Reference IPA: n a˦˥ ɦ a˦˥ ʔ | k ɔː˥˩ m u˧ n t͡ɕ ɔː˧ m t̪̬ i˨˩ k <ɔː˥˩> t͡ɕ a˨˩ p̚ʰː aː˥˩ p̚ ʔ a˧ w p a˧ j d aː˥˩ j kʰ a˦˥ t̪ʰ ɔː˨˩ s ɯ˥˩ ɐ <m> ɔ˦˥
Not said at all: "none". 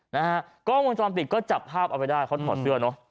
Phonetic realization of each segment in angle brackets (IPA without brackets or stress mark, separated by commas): ɔː˥˩, n